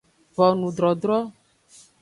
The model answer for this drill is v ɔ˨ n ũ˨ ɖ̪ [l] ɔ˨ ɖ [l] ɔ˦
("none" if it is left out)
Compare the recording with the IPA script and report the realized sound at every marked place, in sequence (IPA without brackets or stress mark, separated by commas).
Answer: ɾ, ɾ